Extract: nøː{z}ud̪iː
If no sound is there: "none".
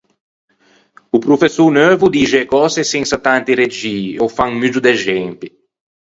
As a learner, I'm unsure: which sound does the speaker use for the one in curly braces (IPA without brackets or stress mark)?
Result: v